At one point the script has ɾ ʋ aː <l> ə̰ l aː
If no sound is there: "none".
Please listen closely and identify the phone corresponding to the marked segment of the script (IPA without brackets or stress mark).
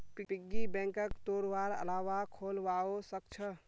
ɾ